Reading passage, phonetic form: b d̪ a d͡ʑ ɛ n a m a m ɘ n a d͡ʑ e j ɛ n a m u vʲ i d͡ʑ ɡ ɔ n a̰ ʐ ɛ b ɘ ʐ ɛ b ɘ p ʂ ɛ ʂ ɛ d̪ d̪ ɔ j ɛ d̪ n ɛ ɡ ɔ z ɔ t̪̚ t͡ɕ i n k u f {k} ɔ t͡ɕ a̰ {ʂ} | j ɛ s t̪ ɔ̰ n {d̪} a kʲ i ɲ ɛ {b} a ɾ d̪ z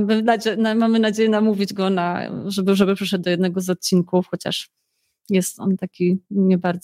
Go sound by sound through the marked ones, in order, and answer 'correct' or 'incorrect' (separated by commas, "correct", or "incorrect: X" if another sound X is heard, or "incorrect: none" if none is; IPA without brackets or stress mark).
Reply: incorrect: x, correct, incorrect: t̪, correct